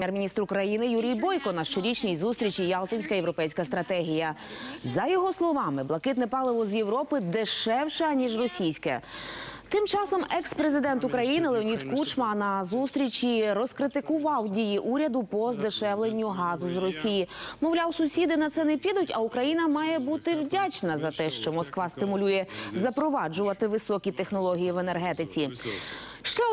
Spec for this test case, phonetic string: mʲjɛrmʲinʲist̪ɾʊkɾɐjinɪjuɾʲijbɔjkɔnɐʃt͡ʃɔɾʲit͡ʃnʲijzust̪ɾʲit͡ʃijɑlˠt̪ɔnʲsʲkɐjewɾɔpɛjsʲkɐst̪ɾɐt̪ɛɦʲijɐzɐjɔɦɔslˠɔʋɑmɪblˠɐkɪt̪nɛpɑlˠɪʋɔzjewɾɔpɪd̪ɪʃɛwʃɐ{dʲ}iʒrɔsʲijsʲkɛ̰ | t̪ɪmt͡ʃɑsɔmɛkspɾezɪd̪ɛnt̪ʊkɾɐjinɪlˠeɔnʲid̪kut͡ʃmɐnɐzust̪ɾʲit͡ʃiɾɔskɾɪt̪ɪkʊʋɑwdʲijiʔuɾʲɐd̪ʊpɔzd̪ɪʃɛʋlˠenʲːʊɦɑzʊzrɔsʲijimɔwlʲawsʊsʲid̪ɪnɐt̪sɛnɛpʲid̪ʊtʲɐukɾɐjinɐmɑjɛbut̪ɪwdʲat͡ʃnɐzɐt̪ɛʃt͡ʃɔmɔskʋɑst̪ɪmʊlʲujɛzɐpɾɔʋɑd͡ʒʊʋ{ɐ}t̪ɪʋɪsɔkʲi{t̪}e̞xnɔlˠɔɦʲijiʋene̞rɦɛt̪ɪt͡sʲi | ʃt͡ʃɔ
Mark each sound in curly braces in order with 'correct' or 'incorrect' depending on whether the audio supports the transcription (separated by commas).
incorrect, correct, correct